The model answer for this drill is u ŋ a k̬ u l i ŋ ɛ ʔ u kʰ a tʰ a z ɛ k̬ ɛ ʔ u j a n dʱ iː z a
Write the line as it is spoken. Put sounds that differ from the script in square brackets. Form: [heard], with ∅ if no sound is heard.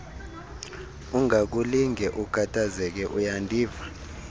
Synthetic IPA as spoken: u ŋ a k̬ u l i ŋ ɛ ʔ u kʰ a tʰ a z ɛ k̬ ɛ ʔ u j a n dʱ iː [v] a